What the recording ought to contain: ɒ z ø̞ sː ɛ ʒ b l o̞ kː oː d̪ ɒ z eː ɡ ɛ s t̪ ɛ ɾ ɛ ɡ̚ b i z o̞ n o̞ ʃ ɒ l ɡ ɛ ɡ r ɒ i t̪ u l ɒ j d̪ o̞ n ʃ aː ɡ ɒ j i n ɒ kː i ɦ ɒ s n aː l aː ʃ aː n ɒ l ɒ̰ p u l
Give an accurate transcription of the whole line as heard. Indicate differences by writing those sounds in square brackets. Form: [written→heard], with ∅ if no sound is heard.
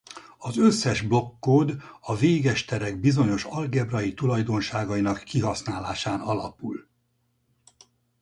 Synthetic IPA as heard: ɒ z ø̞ sː ɛ ʒ b l o̞ kː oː d̪ ɒ [z→v] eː ɡ ɛ [s→ʃ] t̪ ɛ ɾ ɛ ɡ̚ b i z o̞ [n→ɲ] o̞ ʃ ɒ l ɡ ɛ [ɡ→b] r ɒ i t̪ u l ɒ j d̪ o̞ n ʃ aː ɡ ɒ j i n ɒ kː i ɦ ɒ s n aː l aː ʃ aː n ɒ l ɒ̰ p u l